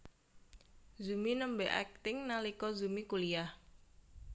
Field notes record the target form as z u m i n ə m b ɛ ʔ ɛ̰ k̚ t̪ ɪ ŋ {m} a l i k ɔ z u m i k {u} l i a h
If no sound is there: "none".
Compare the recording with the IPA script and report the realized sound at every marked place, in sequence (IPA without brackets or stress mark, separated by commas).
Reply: n, u